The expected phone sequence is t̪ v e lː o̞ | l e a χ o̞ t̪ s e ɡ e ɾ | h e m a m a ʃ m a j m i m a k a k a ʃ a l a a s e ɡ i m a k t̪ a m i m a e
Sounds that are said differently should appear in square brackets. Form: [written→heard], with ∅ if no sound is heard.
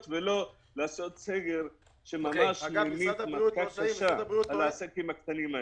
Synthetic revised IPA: t̪ v e [lː→l] o̞ | l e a [χ→s] o̞ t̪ s e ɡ e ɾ | [h→ʃ] e m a m a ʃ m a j m i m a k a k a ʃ a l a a s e [ɡ→k] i m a k t̪ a [m→n] i m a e

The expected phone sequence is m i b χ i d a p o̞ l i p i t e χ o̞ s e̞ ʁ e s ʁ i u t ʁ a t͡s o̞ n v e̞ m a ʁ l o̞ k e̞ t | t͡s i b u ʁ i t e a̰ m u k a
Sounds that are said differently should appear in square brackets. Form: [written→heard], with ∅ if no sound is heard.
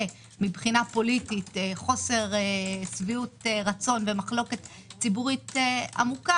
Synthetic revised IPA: m i b χ i [d→n] a p o̞ l i [p→t] i t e χ o̞ s e̞ ʁ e s [ʁ→v] i u t ʁ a t͡s o̞ n v e̞ m a [ʁ→χ] l o̞ k e̞ t | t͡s i b u ʁ i t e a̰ m u k a

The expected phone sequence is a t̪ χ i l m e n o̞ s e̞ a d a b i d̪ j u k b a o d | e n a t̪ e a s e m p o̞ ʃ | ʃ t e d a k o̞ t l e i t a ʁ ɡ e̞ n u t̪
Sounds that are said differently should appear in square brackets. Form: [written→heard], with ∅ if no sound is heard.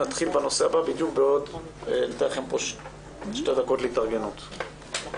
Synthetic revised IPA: a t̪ χ i l [m→b] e n o̞ s e̞ a [d→b] a b i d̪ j u k b [a→e] o d | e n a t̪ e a [s→χ] e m p o̞ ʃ | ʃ t e d a k o̞ t l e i t a ʁ ɡ e̞ n u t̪

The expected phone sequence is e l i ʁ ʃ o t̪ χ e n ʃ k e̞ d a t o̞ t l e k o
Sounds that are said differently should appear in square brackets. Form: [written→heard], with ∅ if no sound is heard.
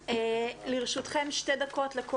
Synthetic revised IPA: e l i ʁ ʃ [o→u] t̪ χ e [n→m] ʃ [k→t] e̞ d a [t→k] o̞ t l e k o

